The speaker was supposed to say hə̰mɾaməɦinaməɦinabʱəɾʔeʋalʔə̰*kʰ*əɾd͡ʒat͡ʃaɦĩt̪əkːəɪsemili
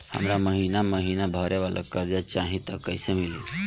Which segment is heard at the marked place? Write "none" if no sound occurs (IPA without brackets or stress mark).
k